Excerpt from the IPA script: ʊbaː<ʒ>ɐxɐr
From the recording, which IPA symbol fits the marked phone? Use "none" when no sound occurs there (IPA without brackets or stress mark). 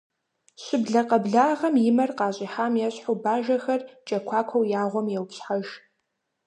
ʒ